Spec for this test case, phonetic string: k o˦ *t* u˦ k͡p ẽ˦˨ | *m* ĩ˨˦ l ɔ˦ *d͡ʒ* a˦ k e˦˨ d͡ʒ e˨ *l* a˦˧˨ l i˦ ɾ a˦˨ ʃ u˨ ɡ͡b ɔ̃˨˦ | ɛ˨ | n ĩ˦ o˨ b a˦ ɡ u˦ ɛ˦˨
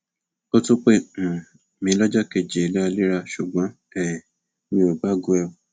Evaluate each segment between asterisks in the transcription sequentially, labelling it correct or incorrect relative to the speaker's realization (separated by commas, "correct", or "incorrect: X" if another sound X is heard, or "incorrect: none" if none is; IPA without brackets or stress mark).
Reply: correct, correct, correct, correct